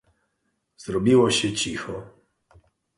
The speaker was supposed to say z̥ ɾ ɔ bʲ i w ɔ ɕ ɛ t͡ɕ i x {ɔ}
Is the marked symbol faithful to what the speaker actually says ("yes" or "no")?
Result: yes